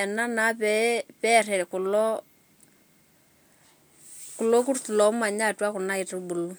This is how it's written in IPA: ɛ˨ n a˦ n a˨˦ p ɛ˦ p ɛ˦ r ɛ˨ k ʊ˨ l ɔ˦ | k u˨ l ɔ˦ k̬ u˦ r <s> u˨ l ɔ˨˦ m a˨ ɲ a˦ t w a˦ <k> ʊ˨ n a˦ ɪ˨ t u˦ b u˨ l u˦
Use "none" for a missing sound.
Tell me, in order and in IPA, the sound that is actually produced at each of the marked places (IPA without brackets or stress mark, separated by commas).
t, k